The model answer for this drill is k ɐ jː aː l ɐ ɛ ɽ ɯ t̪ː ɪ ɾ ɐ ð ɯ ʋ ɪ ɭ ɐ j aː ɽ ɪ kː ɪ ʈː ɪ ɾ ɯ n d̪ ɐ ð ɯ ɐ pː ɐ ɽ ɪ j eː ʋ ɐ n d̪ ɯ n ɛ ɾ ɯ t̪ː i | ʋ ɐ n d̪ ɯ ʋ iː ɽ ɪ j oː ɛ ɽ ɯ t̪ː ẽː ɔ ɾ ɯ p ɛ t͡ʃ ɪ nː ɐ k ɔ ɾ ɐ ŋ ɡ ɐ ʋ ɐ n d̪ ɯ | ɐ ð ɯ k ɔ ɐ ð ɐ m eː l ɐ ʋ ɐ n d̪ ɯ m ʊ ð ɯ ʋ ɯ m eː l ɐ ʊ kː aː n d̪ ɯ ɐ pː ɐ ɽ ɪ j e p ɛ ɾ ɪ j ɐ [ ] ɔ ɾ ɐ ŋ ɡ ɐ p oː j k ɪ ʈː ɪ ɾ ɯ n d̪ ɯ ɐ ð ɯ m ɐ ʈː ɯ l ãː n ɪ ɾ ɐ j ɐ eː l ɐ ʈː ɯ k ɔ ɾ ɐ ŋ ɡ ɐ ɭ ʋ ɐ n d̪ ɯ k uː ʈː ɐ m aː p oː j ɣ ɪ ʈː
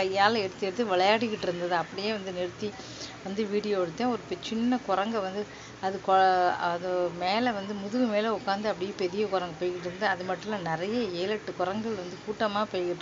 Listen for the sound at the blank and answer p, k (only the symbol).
k